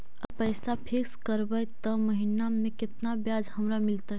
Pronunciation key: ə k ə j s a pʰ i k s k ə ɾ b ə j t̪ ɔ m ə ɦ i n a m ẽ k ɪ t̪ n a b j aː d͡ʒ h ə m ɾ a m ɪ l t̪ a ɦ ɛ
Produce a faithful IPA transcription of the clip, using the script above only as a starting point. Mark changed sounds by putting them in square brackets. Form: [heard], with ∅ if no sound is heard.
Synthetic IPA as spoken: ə [p] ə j s a pʰ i k s k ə ɾ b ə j t̪ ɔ m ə ɦ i n a m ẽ k ɪ t̪ n a b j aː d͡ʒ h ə m ɾ a m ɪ l t̪ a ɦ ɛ